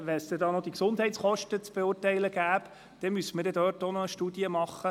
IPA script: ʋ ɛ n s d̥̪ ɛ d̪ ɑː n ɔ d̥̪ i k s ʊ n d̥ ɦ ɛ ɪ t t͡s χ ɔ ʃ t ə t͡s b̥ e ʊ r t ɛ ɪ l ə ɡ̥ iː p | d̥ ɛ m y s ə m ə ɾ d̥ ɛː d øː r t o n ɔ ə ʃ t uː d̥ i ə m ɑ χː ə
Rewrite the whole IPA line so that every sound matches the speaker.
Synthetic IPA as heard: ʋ ɛ n s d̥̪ ɛ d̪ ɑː n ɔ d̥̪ i k s ʊ n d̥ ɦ ɛ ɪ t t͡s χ ɔ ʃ t ə t͡s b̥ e ʊ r t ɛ ɪ l ə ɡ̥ æː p | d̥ ɛ m y s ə m ə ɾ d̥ ɛ d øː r t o n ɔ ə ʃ t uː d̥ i ə m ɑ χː ə